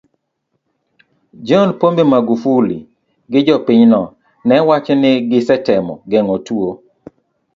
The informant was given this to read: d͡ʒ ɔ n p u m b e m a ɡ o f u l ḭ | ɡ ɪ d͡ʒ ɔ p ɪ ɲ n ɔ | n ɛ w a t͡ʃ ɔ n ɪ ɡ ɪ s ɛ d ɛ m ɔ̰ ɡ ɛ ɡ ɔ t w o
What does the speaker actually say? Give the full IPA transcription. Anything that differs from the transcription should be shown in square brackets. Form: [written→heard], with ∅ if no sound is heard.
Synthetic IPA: d͡ʒ ɔ n p [u→o] m b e m a ɡ [o→u] f u l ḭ | ɡ ɪ d͡ʒ ɔ p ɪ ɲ n ɔ | n ɛ w a t͡ʃ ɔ n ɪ ɡ ɪ s ɛ [d→t] ɛ m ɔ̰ ɡ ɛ [ɡ→ŋ] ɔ t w o